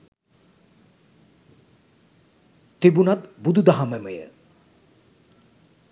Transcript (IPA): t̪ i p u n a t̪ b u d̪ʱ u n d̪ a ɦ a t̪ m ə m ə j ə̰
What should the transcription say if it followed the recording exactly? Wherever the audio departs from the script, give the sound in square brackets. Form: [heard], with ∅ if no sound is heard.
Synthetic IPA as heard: t̪ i [b] u n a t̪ b u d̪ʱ u [∅] d̪ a ɦ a [∅] m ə m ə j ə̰